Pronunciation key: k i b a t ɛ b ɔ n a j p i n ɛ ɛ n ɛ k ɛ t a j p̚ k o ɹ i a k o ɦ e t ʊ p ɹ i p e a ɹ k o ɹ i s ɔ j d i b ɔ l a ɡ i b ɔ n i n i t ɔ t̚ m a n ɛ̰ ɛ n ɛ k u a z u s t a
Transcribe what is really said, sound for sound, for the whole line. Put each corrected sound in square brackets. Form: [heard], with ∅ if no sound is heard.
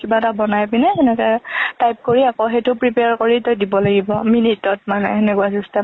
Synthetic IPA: k i b a t [a] b ɔ n a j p i n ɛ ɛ n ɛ k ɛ t a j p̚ k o ɹ i a k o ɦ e t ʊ p ɹ i p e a ɹ k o ɹ i [t] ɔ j d i b ɔ l a ɡ i b ɔ [m] i n i t ɔ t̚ m a n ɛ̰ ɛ n ɛ k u a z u s t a